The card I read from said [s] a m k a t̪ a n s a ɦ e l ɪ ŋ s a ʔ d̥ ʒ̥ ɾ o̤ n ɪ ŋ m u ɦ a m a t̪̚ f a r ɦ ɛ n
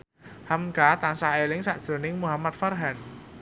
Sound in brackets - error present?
yes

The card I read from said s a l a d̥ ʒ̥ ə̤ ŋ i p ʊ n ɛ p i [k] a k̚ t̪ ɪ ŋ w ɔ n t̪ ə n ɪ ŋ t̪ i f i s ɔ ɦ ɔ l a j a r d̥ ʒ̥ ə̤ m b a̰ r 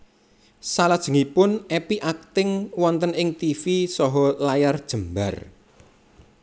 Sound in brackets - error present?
yes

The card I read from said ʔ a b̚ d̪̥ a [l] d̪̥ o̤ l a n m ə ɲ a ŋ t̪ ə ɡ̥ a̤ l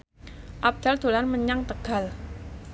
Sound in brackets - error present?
no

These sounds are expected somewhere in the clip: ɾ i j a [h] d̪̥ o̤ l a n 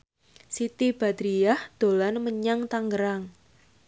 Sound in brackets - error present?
no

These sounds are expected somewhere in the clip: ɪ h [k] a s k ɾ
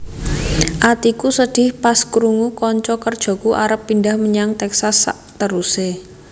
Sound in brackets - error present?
yes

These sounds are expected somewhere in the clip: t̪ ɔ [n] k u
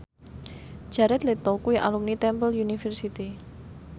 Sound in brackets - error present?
yes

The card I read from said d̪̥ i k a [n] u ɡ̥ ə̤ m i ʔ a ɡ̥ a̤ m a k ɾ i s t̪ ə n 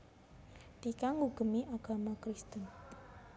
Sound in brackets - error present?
yes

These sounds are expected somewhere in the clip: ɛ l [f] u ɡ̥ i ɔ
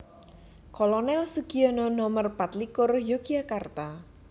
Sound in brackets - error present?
yes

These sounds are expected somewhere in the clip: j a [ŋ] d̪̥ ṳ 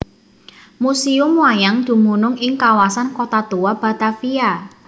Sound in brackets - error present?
no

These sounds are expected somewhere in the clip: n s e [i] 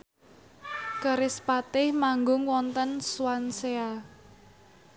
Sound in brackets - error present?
yes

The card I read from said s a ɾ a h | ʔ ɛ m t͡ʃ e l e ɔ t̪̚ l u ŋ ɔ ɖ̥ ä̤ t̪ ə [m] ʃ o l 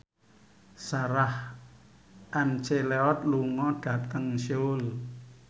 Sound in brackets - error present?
yes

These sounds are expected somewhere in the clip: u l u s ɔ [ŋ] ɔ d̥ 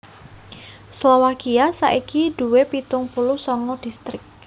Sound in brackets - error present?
no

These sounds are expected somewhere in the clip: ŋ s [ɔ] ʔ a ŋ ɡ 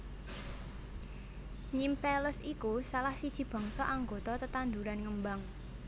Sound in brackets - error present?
no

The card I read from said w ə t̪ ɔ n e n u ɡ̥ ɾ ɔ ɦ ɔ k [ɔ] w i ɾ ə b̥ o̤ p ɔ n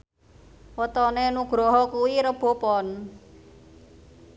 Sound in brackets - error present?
yes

